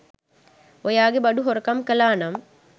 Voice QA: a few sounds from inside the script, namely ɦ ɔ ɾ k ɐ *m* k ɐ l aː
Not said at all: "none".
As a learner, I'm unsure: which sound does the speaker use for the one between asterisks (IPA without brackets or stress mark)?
m